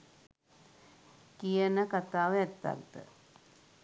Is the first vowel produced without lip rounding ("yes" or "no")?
yes